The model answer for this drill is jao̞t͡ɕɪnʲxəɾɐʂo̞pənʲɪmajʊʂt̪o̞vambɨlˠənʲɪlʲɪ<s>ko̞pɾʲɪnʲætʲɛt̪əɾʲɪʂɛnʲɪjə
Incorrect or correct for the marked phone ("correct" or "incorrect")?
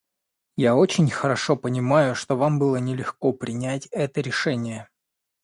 incorrect